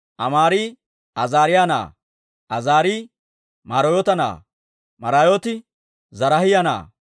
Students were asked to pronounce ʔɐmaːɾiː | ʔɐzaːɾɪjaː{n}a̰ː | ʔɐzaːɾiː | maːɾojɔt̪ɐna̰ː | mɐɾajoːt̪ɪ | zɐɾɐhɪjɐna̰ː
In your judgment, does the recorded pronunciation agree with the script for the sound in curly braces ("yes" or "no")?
yes